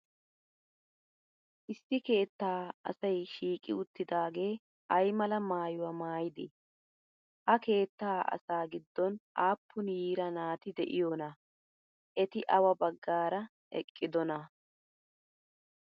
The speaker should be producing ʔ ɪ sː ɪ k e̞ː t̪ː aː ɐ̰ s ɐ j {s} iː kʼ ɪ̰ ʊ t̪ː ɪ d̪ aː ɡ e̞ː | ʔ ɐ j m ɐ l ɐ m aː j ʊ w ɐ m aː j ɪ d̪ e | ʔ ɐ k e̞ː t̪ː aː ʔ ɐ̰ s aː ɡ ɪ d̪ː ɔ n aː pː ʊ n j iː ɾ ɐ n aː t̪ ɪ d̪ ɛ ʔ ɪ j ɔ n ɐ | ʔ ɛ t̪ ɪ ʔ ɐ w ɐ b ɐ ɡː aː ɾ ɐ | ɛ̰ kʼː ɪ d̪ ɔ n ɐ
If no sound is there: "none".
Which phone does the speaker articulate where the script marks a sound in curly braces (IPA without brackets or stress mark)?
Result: ʃ